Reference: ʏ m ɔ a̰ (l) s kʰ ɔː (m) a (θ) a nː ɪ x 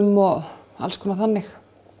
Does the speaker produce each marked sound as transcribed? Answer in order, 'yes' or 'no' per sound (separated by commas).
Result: yes, no, yes